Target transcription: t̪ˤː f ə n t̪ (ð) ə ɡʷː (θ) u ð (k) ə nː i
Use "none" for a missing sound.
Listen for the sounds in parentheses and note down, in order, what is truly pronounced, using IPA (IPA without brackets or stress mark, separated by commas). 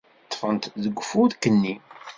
ð, f, k